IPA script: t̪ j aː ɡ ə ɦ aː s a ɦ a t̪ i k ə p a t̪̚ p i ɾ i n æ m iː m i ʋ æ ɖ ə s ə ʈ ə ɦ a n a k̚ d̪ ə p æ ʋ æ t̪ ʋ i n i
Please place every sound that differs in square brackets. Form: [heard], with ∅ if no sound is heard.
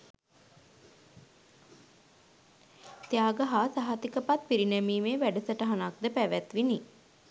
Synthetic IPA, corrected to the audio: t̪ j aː ɡ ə ɦ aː s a ɦ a t̪ i k ə p a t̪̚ p i ɾ i n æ m iː m [e] ʋ æ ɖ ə s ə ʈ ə ɦ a n a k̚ d̪ ə p æ ʋ æ t̪ ʋ i n i